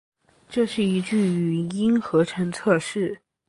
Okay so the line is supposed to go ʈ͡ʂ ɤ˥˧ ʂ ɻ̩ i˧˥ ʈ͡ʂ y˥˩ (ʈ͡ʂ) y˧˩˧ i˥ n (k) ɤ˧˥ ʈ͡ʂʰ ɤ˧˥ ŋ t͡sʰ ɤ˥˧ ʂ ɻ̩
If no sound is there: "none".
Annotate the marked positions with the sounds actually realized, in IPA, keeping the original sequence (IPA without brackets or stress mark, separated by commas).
none, x